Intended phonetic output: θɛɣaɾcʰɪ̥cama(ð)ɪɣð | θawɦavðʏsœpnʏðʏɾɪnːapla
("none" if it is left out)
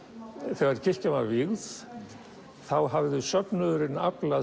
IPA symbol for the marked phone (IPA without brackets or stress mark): v